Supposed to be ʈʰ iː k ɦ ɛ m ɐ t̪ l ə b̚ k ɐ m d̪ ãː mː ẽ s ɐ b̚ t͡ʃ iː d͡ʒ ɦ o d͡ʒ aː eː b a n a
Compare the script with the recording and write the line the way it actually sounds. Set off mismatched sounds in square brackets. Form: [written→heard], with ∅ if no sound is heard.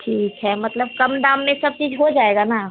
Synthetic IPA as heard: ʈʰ iː k ɦ ɛ m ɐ t̪ l ə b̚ k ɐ m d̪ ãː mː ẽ s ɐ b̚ t͡ʃ iː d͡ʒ ɦ o d͡ʒ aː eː [b→ɡ] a n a